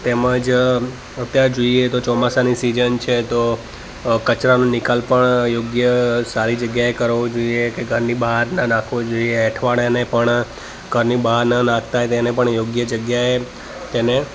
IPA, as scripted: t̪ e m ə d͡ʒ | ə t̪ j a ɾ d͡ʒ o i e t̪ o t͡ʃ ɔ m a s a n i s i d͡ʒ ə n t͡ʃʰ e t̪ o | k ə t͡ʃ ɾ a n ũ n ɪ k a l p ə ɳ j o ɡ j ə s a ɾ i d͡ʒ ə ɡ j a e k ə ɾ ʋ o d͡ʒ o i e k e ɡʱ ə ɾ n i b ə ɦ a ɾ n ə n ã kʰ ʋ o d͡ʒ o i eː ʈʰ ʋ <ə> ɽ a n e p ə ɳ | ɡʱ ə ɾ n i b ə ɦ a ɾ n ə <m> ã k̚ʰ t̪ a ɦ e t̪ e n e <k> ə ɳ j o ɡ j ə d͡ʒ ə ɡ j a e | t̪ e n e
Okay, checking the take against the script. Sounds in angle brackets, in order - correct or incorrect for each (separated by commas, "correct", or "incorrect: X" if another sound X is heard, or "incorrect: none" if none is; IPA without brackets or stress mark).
incorrect: a, incorrect: n, incorrect: p